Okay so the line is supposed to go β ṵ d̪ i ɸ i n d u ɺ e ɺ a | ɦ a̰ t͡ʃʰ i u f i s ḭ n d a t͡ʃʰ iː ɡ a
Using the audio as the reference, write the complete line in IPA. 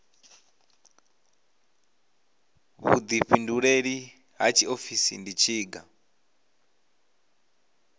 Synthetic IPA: β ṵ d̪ i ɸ i n d u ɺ e ɺ i | ɦ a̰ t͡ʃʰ i o f i s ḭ n d i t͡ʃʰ iː ɡ a

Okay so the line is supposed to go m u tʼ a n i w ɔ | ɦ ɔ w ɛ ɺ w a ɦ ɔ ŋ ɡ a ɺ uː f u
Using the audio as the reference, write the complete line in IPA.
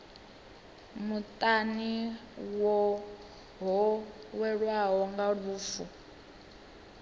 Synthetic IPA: m u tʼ a n i w ɔ | ɦ ɔ w ɛ ɺ w a ɦ ɔ ŋ ɡ a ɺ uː f u

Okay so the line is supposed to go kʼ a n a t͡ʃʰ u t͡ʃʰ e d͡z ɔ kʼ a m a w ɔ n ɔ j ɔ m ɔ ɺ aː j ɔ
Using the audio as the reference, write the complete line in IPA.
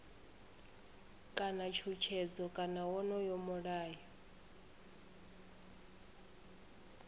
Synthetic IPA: kʼ a n a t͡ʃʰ u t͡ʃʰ ɛ d͡z ɔ kʼ a n a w ɔ n ɔ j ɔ m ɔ ɺ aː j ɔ

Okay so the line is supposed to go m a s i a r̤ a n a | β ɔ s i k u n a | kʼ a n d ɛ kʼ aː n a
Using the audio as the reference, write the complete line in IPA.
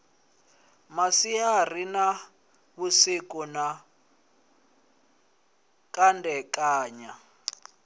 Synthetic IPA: m a s i a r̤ i n a | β u s i k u n a | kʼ a n d ɛ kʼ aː ɲ a

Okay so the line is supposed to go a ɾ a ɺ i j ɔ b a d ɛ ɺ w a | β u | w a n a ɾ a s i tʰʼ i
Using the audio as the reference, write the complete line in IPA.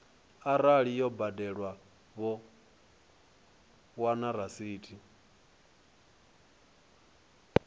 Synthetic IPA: a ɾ a ɺ i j ɔ b a d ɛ ɺ w a | β ɔ | w a n a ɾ a s iː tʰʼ i

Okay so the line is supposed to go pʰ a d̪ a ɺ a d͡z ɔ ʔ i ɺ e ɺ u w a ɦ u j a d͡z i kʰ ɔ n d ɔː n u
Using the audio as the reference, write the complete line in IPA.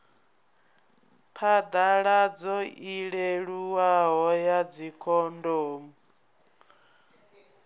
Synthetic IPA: pʰ a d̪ a ɺ a d͡z ɔ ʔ i ɺ e ɺ u w a ɦ ɔ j a d͡z i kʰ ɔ n d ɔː m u

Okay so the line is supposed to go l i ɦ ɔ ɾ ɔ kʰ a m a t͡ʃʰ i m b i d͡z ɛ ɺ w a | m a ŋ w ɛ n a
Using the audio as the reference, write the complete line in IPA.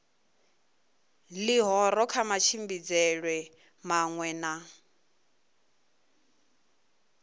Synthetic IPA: l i ɦ ɔ ɾ ɔ kʰ a m a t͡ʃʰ i m b i d͡z ɛ ɺ w ɛ | m a ŋ w ɛ n a

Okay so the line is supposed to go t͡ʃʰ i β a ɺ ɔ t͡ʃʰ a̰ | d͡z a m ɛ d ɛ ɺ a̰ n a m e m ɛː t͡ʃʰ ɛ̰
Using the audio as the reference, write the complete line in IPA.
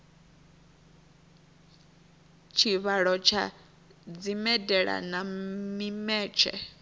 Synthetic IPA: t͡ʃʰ i β a ɺ ɔ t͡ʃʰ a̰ | d͡z i m ɛ d ɛ ɺ a̰ n a m i m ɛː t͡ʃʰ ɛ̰

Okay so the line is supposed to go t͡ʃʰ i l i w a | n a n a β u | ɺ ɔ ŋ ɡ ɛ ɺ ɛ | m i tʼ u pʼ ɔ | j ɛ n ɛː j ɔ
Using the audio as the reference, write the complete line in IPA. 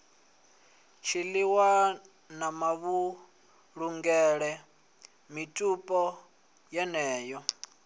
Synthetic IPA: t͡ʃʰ i l i w a | n a m a β u | ɺ u ŋ ɡ ɛ ɺ ɛ | m i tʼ u pʼ ɔ | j ɛ n ɛː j ɔ

